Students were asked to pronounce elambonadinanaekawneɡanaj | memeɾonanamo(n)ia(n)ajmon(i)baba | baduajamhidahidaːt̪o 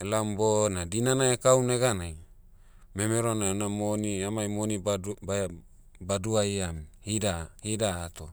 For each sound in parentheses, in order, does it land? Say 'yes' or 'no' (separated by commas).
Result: yes, no, yes